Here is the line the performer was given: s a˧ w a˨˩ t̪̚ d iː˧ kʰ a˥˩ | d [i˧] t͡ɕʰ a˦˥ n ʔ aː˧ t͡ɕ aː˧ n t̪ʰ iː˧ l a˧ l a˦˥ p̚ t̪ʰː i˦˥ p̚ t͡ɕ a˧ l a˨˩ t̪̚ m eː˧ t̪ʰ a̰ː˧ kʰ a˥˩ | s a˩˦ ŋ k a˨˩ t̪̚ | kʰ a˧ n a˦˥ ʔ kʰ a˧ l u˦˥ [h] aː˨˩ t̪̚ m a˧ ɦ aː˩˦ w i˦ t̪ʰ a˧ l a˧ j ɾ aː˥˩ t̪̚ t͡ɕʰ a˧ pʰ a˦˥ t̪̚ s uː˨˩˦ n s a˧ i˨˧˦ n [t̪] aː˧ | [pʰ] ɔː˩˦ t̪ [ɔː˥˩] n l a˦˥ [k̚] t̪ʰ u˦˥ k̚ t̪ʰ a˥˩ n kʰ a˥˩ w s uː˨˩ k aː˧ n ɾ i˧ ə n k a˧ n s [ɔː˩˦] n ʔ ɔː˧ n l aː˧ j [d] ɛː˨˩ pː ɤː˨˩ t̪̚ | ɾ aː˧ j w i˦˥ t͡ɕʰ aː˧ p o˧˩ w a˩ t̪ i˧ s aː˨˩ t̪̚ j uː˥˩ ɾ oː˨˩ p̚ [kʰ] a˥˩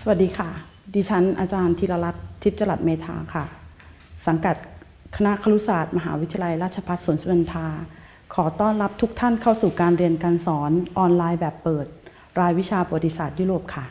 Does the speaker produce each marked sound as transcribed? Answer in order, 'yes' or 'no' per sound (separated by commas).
no, no, no, no, yes, no, yes, no, yes